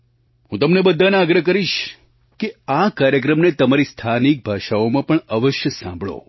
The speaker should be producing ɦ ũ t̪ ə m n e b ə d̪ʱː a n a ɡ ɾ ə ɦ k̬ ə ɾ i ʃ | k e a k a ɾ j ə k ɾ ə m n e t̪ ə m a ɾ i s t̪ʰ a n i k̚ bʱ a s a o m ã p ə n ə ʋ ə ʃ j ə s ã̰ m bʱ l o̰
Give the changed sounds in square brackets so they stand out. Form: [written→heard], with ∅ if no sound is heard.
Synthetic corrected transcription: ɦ ũ t̪ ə m n e b ə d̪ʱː a n a ɡ ɾ ə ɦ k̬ ə ɾ i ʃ | k e a k a ɾ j ə k ɾ ə m n e t̪ ə m a ɾ i s t̪ʰ a n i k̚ bʱ a [s→ʃ] a o m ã p ə [n→ɳ] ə ʋ ə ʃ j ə s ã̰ m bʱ [l→ɭ] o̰